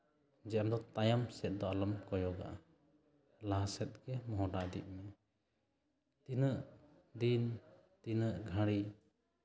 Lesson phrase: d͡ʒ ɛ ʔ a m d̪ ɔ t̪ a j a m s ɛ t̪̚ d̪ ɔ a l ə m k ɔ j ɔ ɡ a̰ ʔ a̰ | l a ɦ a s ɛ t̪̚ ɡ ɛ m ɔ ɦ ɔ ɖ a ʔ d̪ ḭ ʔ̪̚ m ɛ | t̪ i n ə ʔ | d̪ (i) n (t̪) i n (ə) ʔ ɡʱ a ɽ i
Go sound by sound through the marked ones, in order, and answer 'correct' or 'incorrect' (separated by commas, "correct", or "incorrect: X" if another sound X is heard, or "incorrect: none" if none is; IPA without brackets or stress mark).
correct, correct, correct